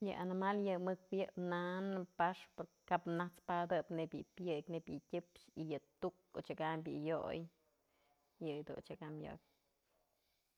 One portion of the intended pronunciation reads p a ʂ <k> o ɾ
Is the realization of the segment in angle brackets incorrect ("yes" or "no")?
yes